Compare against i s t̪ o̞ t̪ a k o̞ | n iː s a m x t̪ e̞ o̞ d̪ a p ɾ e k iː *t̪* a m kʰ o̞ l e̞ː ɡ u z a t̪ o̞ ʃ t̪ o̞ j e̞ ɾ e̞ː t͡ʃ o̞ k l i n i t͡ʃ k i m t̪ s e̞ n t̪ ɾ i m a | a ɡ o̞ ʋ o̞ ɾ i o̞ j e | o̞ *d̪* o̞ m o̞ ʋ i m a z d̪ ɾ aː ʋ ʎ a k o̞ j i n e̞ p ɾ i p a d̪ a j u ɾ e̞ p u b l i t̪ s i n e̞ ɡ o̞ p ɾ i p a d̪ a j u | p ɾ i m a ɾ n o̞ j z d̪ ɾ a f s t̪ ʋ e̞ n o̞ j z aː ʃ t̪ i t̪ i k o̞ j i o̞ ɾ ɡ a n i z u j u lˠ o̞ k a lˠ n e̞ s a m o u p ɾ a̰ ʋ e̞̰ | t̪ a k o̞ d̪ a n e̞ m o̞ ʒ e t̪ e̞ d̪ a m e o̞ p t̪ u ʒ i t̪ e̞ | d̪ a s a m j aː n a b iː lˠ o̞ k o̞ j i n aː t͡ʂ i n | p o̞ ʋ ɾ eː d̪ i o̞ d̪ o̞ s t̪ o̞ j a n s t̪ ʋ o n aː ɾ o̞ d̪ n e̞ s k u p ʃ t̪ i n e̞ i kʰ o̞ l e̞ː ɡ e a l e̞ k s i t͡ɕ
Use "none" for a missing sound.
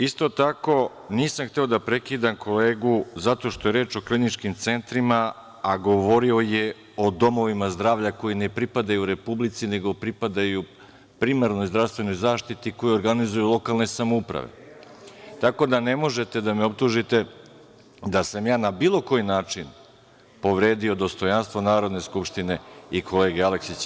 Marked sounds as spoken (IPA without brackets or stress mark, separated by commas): d̪, d̪